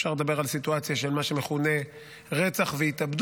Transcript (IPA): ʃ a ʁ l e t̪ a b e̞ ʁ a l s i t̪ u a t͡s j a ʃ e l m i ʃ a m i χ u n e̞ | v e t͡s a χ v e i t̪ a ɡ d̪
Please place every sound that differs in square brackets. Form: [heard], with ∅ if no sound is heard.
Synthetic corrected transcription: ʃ a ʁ l e [d̪] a b e̞ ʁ a l s i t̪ u a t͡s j a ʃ e l m [a] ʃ [e] m [e] χ u n e̞ | [ʁ] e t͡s a χ v e i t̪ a [b] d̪